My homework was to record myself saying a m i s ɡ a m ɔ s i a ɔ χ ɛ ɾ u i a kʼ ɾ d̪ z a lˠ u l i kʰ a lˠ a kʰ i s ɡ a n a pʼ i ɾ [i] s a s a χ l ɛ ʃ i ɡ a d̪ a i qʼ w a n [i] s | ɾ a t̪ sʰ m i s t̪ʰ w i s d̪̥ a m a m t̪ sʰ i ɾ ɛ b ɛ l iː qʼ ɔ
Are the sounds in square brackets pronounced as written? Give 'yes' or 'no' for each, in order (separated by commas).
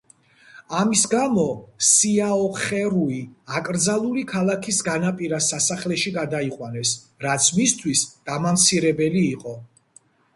no, no